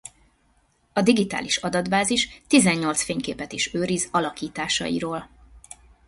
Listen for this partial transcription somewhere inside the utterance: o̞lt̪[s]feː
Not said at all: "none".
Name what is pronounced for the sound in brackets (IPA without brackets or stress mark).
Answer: s